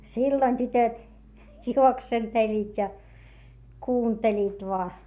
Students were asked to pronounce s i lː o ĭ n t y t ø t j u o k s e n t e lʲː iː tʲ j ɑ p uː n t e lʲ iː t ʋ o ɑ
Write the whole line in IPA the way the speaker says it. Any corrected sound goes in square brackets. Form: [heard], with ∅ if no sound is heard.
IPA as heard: s i lː o ĭ n t y t ø t j u o k s e n t e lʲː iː tʲ j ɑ [k] uː n t e lʲ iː t ʋ o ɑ